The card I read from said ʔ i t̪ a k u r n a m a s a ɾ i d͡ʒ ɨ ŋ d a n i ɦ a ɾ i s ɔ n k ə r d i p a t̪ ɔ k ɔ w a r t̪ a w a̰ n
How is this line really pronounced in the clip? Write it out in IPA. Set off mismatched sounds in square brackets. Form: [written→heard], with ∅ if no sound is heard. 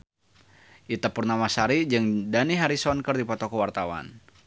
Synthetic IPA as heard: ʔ i t̪ a [k→p] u r n a m a s a ɾ i d͡ʒ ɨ ŋ d a n i ɦ a ɾ i s ɔ n k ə r d i p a t̪ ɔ k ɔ w a r t̪ a w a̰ n